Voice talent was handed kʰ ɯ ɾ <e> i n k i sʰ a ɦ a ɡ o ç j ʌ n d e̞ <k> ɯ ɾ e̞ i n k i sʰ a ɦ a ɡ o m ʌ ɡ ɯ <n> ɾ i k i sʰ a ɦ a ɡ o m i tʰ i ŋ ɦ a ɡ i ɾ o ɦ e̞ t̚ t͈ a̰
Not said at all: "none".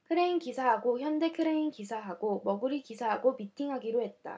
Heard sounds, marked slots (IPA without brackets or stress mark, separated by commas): e, kʰ, none